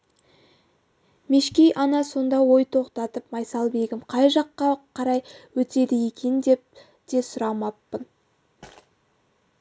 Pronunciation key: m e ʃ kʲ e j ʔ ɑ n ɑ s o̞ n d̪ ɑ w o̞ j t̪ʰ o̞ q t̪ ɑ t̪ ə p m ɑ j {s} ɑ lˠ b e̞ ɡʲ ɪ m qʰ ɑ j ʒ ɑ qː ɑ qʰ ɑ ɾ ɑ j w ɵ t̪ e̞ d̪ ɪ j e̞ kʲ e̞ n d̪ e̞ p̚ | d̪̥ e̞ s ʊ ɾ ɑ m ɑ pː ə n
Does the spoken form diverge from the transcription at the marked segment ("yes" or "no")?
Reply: no